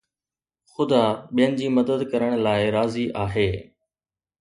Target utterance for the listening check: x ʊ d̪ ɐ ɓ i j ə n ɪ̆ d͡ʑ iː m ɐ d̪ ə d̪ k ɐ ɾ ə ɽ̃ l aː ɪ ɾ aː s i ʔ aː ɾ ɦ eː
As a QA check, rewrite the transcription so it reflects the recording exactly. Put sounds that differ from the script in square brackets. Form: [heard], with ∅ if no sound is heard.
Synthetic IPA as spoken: x ʊ d̪ [a] ɓ i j ə n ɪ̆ d͡ʑ iː m ɐ d̪ ə d̪ k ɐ ɾ ə ɽ̃ l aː ɪ ɾ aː [z] i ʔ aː [∅] ɦ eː